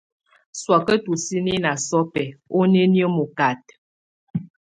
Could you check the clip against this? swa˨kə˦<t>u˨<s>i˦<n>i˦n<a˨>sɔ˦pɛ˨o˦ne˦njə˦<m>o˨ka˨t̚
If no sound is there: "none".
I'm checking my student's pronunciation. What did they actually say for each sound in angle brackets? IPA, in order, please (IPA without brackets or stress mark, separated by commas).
t, s, n, a˨, m